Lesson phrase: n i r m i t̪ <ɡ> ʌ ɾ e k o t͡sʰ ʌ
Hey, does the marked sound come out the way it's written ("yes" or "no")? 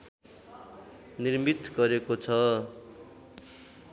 yes